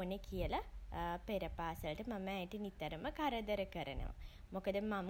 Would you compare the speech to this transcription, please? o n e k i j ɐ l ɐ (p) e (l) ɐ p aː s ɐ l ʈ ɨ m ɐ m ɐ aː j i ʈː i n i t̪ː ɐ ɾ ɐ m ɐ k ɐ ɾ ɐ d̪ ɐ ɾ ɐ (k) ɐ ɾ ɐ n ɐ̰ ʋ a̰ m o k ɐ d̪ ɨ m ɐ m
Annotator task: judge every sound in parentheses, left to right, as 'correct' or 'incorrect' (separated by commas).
correct, incorrect, correct